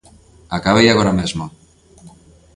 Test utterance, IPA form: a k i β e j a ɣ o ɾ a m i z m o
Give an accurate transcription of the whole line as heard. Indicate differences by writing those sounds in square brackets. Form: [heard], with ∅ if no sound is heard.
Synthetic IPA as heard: a k [a] β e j a ɣ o ɾ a m [e] z m o